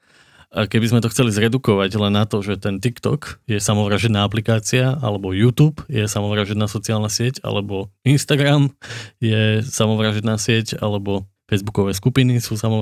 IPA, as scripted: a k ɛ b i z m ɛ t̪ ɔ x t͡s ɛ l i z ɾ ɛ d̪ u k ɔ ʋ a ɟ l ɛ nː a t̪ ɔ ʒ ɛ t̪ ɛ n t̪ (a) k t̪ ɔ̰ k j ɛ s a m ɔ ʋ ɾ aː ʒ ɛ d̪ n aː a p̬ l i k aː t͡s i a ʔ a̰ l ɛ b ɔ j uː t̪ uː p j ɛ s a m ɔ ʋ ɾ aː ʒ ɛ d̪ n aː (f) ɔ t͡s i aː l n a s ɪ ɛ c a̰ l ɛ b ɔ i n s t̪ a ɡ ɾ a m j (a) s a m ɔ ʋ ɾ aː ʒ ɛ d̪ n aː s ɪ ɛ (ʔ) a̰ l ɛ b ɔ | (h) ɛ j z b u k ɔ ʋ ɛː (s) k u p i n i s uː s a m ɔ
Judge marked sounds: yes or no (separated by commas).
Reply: no, no, no, no, no, yes